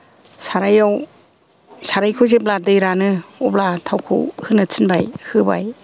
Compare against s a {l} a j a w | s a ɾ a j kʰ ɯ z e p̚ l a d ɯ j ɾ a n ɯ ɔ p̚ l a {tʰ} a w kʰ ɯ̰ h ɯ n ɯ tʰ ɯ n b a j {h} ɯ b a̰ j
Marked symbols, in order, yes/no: no, yes, yes

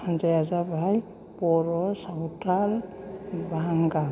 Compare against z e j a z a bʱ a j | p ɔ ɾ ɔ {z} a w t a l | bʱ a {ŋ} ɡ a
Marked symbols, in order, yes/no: no, yes

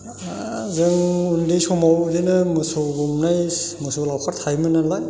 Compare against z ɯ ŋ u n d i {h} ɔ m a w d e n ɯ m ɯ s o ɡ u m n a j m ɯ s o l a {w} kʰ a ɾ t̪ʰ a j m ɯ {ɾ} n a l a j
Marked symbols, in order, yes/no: no, yes, no

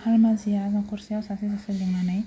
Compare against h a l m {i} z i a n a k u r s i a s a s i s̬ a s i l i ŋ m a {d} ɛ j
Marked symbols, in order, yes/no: no, no

